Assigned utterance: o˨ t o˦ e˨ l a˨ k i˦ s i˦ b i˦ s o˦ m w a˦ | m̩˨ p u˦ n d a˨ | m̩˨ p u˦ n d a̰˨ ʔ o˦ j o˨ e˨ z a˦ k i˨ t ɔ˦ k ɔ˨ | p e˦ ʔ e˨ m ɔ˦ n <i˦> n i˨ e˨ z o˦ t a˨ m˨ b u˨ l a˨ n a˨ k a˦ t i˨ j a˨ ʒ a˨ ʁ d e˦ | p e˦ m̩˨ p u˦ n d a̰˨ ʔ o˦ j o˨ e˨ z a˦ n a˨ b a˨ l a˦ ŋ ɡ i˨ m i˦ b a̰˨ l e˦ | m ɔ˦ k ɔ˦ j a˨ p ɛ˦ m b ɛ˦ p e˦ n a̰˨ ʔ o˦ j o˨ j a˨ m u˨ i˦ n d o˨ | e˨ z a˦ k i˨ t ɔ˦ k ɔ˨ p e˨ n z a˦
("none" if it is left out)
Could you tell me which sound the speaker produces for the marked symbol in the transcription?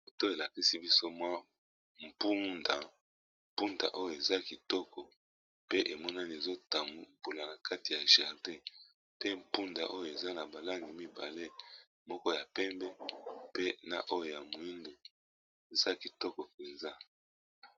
a˦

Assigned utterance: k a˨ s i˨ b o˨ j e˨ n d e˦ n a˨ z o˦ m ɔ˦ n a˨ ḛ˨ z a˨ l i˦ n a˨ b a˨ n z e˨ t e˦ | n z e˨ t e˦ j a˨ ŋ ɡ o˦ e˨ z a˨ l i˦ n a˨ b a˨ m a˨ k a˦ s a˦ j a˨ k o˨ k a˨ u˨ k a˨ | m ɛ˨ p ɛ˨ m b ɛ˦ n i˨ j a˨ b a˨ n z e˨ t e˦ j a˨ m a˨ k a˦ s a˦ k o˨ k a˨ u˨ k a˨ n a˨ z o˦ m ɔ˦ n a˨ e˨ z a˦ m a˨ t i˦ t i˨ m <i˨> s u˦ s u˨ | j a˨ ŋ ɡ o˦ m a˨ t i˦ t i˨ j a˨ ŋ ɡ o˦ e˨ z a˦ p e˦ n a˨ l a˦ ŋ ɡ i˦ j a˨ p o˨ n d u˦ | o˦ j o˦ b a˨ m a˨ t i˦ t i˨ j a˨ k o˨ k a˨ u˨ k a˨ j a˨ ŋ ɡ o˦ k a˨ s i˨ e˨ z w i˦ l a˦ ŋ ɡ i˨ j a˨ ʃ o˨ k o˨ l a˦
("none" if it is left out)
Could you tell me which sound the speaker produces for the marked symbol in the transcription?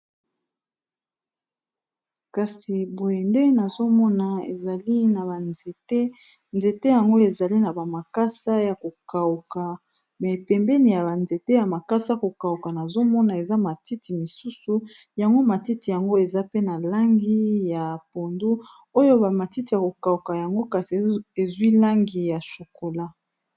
i˨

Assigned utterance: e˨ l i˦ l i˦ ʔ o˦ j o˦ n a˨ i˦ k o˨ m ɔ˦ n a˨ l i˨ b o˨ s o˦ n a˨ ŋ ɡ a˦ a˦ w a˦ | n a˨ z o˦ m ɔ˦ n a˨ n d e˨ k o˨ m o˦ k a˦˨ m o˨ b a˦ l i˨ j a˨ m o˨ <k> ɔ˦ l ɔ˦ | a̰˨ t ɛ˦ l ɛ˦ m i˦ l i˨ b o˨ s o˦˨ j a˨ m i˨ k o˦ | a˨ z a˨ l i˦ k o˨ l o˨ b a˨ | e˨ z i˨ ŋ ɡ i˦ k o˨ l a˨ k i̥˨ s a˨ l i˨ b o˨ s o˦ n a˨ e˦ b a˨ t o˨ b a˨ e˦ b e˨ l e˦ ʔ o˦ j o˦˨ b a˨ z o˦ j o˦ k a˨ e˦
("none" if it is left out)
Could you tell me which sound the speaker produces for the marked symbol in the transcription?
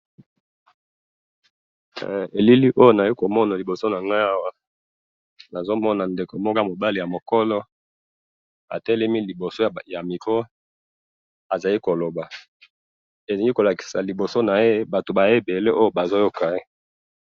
k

